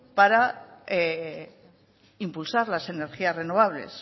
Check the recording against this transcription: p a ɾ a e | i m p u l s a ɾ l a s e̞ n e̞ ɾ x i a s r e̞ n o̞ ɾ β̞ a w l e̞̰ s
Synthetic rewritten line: p a ɾ a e | i m p u l s a ɾ l a s e̞ n e̞ ɾ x i a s r e̞ n o̞ β̞ a β l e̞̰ s